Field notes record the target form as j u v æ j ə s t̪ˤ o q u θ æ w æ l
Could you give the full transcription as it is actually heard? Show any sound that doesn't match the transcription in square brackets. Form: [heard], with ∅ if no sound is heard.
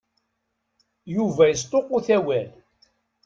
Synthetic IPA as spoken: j u v æ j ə s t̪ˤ o q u θ æ w æ l